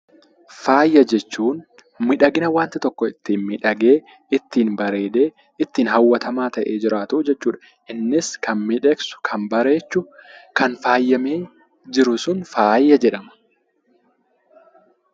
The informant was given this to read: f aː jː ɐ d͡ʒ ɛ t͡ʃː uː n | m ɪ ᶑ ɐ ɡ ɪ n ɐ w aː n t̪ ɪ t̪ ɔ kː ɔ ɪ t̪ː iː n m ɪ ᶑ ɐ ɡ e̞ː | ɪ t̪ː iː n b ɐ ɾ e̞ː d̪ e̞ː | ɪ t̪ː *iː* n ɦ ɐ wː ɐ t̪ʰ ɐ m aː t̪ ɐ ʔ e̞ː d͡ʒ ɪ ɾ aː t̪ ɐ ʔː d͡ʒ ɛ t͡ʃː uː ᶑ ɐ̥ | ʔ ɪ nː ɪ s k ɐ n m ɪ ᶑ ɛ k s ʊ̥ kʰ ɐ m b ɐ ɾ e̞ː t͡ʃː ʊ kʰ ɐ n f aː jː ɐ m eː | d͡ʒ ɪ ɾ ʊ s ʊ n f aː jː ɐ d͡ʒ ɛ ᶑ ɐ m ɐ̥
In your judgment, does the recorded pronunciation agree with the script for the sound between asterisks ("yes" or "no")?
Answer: yes